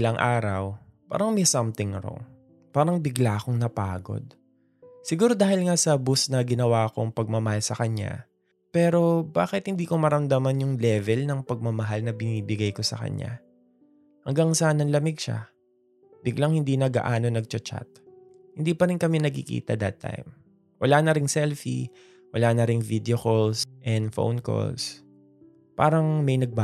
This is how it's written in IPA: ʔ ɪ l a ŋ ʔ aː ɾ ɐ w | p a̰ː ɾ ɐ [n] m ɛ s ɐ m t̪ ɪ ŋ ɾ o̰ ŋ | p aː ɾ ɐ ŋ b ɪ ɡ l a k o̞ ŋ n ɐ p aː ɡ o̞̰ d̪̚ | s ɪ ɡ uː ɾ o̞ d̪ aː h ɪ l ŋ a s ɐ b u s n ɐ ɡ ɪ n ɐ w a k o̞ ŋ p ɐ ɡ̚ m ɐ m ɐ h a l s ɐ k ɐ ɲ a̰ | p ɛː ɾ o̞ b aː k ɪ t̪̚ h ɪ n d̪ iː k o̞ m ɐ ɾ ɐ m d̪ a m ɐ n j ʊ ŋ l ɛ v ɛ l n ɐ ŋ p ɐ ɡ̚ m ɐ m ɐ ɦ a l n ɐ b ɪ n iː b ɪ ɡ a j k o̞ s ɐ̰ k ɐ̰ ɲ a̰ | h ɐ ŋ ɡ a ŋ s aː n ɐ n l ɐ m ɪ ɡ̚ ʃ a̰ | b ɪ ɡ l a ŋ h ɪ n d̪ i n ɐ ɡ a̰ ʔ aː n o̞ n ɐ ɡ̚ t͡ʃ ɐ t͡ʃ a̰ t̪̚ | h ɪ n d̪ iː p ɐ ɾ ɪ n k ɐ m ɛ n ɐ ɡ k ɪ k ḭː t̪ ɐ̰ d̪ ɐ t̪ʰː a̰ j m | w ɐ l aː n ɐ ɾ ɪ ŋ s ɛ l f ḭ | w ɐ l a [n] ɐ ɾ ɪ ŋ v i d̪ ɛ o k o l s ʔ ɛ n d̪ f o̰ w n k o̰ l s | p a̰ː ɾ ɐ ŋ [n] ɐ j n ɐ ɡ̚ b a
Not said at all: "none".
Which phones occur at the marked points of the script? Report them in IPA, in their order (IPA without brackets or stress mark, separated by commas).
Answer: ŋ, n, m